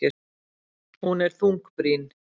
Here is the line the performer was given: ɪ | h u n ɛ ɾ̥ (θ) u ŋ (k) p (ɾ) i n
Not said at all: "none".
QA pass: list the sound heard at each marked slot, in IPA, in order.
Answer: θ, k, ɾ

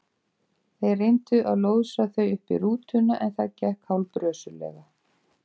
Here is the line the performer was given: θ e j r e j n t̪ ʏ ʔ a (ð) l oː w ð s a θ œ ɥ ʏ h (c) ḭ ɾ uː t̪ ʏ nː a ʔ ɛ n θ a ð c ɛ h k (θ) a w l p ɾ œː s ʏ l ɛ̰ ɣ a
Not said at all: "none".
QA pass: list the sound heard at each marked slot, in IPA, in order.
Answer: ð, p, h

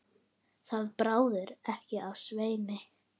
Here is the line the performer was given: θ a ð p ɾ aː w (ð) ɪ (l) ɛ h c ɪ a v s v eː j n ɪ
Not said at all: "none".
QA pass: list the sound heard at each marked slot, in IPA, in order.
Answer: ð, ɾ

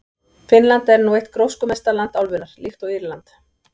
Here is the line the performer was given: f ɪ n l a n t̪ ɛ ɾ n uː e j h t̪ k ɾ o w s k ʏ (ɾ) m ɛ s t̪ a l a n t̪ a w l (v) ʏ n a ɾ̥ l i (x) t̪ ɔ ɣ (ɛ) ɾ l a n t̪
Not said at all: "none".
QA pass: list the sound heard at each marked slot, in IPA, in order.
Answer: none, v, f, i

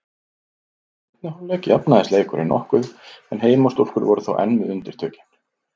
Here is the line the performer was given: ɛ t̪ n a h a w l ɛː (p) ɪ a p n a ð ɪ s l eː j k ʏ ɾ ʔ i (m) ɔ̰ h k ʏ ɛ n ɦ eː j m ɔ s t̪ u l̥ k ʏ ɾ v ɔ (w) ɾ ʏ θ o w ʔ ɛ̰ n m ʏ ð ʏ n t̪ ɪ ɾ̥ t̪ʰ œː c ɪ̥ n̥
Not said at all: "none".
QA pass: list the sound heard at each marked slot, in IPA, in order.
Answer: c, n, none

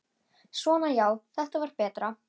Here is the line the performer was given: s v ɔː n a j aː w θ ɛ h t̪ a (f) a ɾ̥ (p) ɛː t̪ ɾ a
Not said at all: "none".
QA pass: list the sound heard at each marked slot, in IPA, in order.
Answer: v, p

